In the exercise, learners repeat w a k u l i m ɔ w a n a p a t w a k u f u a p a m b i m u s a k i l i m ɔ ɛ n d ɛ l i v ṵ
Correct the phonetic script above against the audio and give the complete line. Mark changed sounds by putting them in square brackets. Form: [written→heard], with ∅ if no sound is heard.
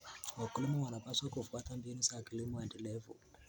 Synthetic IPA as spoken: w a k u l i m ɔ w a n a p a [t→s] w a k u f u a [p→t] a m b i [m→n] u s a k i l i m ɔ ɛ n d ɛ l [i→ɛ] v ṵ